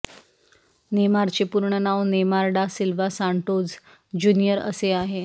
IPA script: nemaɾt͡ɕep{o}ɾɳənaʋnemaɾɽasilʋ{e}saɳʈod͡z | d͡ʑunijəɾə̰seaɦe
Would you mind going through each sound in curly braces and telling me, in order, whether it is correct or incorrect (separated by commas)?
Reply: incorrect, incorrect